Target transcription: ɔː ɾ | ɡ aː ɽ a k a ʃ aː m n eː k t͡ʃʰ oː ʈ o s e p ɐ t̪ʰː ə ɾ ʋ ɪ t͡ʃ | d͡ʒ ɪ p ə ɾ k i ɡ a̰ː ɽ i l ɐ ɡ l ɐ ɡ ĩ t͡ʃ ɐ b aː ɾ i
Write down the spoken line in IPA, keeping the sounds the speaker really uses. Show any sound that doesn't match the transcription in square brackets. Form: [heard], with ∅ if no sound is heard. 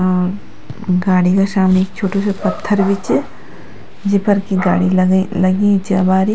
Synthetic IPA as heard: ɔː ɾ | ɡ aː ɽ [i] k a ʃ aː m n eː k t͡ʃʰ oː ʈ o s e p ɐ t̪ʰː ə ɾ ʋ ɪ t͡ʃ | d͡ʒ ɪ p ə ɾ k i ɡ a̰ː ɽ i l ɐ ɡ l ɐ ɡ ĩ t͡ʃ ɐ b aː ɾ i